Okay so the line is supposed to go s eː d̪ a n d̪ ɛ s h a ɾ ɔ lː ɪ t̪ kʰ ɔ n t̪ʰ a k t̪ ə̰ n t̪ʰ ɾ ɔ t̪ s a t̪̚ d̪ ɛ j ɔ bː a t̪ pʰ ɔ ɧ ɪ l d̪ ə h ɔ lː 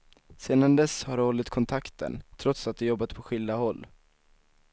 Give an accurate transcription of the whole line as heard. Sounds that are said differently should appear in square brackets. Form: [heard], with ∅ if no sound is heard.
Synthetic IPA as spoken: s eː d̪ a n d̪ ɛ s h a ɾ ɔ lː ɪ t̪ kʰ ɔ n t̪ʰ a k t̪ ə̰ n t̪ʰ ɾ ɔ t̪ s a t̪̚ d̪ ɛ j ɔ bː a t̪ pʰ ɔ ɧ ɪ l d̪ [a] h ɔ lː